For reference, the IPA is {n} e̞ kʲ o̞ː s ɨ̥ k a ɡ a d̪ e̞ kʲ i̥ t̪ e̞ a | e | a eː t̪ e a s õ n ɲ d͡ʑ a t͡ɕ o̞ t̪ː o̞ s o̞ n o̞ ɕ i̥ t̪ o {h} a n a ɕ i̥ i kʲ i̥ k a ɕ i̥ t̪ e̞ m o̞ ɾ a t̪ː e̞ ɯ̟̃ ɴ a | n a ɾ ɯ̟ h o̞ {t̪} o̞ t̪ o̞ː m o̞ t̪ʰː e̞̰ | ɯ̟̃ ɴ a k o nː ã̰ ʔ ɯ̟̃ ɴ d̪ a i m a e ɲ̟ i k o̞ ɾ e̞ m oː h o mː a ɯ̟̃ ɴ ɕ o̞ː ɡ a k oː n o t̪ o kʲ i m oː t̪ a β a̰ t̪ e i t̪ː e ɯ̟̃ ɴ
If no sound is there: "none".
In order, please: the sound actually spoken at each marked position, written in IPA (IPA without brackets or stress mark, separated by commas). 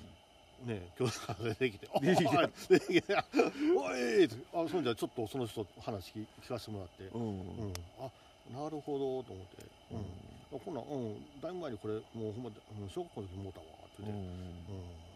n, h, d̪